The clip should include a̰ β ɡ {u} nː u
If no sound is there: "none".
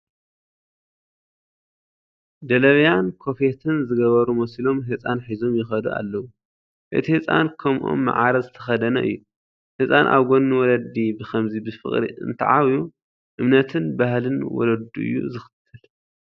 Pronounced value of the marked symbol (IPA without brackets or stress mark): o